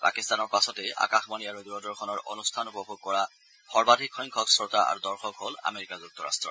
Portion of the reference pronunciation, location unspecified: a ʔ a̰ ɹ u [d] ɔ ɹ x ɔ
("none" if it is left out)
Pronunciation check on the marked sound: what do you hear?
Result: d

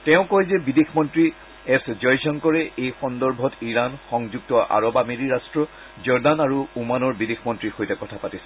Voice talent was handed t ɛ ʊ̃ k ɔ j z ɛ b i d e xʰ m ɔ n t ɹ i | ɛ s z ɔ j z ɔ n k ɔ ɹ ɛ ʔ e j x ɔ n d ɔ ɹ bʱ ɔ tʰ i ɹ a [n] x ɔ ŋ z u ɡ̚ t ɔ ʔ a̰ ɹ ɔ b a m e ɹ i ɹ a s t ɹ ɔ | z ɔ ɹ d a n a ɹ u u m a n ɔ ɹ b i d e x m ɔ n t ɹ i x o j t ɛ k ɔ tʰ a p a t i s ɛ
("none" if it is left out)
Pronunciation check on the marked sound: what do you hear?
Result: n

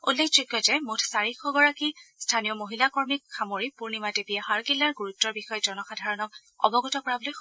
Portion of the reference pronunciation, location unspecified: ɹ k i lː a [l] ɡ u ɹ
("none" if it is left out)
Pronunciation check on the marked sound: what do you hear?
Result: ɹ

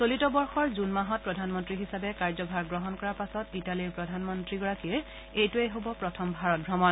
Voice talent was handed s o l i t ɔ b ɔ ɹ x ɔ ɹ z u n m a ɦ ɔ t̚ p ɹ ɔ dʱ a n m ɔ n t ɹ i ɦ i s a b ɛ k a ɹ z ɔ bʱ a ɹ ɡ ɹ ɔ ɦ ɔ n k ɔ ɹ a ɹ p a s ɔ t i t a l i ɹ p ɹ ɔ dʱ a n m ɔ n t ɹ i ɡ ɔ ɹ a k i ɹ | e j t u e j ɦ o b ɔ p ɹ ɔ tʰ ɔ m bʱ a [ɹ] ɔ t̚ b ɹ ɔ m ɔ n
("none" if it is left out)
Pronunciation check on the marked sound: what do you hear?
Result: ɹ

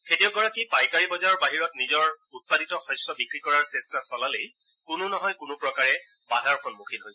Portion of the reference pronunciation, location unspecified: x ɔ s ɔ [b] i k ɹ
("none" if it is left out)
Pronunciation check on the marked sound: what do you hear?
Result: b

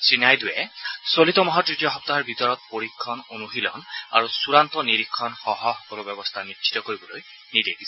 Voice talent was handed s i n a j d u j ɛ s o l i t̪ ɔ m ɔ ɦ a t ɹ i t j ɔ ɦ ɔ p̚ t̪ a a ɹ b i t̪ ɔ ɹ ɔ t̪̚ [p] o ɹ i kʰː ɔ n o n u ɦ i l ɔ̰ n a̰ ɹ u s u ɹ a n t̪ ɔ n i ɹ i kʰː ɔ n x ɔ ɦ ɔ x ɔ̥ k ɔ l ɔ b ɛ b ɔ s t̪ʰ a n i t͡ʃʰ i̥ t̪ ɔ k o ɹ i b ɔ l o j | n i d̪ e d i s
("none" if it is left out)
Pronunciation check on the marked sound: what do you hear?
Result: p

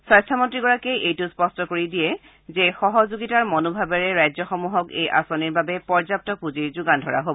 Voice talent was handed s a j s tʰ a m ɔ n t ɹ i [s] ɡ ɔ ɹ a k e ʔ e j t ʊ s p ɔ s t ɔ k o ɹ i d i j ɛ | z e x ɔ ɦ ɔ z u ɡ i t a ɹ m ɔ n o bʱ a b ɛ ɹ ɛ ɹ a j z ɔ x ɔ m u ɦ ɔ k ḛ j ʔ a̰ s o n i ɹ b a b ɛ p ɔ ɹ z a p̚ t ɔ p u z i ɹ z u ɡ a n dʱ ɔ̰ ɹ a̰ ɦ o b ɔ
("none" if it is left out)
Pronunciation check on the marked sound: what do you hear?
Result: none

